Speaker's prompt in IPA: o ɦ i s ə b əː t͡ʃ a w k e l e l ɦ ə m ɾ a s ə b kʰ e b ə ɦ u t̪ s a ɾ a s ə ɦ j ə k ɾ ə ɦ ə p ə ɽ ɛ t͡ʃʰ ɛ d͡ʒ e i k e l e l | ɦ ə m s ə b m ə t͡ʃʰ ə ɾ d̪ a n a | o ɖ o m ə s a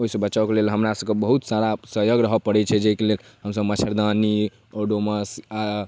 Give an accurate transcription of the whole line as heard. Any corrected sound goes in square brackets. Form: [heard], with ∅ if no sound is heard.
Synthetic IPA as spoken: o ɦ i s ə b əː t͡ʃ a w k e l e l ɦ ə m ɾ a s ə b [k] e b ə ɦ u t̪ s a ɾ a s ə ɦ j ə [ɡ] ɾ ə ɦ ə p ə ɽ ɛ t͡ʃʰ ɛ d͡ʒ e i k e l e l | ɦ ə m s ə b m ə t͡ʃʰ ə ɾ d̪ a n [i] | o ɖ o m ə s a

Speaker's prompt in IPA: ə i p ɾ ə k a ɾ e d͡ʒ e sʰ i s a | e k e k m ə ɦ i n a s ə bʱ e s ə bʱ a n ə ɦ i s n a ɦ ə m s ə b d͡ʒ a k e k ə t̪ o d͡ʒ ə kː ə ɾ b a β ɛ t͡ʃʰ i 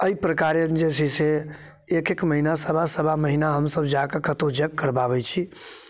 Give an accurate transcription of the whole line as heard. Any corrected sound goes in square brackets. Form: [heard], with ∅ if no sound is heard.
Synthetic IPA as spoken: ə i p ɾ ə k a ɾ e d͡ʒ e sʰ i s [e] | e k e k m ə ɦ i n a s ə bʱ [a] s ə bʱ a [m] ə ɦ i [∅] n a ɦ ə m s ə b d͡ʒ a k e k ə t̪ o d͡ʒ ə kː ə ɾ b a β ɛ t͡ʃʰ i

